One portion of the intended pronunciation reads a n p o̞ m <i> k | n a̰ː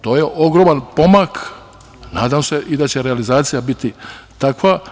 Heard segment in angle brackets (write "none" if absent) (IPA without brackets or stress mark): a